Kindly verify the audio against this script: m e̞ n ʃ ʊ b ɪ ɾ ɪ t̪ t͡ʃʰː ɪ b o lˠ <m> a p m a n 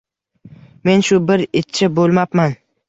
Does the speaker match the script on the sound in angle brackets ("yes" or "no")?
yes